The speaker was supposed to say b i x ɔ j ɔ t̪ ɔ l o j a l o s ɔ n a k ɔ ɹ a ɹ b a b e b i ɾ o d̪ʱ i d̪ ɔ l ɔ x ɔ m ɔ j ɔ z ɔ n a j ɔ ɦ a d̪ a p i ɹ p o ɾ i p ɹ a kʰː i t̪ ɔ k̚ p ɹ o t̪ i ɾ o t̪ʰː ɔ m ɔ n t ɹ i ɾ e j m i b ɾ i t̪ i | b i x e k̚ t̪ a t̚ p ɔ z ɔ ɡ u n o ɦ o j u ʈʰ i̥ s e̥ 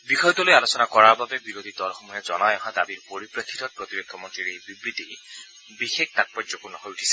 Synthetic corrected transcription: b i x ɔ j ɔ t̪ ɔ l o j a l o s ɔ n a k ɔ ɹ a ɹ b a b e b i ɾ o d̪ʱ i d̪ ɔ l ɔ x ɔ m ɔ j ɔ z ɔ n a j ɔ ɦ a d̪ a b i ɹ p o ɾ i p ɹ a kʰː i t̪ ɔ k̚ p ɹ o t̪ i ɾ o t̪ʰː ɔ m ɔ n t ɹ i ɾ e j b i b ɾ i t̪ i | b i x e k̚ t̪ a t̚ p ɔ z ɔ k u n ɔ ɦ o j u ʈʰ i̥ s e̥